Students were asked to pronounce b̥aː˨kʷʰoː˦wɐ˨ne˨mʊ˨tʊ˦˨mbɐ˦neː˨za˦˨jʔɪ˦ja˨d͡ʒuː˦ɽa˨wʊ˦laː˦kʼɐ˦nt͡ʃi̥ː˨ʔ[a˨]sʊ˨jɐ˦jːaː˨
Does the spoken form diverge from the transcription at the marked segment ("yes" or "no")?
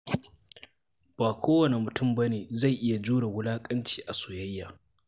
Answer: no